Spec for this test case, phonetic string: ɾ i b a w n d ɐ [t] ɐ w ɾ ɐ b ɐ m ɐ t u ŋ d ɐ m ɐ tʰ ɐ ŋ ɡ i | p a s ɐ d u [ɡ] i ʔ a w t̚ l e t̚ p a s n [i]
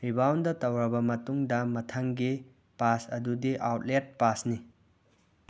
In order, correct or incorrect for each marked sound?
correct, incorrect: d, correct

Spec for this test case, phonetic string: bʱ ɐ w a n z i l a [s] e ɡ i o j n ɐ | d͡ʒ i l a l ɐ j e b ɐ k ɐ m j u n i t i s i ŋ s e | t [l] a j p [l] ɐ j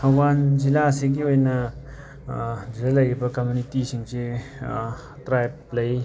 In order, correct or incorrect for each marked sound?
correct, incorrect: ɾ, correct

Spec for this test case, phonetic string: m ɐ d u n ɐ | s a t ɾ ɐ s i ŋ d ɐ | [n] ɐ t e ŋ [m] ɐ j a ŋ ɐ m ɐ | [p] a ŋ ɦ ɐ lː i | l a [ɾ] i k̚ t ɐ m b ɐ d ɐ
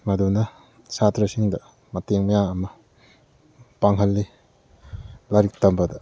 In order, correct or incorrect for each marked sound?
incorrect: m, correct, correct, correct

